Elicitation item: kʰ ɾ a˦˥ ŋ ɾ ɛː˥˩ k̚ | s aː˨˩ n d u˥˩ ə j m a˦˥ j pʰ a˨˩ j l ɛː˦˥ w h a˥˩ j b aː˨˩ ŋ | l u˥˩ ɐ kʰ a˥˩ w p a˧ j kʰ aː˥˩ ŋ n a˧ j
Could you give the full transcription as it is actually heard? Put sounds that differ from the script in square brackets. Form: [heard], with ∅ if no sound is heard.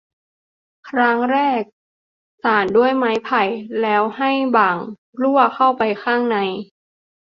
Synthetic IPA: kʰ ɾ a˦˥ ŋ ɾ ɛː˥˩ k̚ | s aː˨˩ n d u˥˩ ə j m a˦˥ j pʰ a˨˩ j l ɛː˦˥ w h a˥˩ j b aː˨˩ ŋ | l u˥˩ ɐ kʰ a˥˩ w p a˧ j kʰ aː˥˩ ŋ n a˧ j